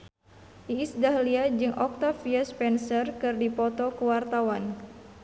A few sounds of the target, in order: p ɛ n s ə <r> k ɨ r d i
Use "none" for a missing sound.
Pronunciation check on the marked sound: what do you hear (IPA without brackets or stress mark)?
r